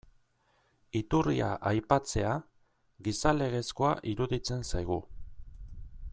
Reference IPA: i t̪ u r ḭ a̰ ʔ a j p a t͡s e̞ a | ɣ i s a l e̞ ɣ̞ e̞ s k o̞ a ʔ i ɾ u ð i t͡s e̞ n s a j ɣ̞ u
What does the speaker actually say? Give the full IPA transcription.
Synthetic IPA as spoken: i t̪ u r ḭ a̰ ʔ a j p a t͡s e̞ a | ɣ i s a l e̞ ɣ̞ e̞ s k o̞ a ʔ i ɾ u ð i t͡s e̞ n s a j ɣ̞ u